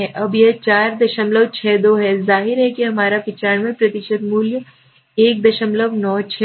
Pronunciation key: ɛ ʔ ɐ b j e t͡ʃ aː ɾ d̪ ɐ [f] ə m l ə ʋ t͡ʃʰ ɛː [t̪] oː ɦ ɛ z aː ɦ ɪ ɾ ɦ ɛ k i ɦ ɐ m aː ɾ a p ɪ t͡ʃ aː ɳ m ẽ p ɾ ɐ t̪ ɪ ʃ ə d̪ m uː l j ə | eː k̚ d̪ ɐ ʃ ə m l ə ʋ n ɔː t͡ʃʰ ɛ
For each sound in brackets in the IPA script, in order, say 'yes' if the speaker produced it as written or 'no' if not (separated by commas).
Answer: no, no